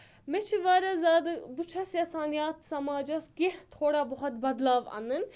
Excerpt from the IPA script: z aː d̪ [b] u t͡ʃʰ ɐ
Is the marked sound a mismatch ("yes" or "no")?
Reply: no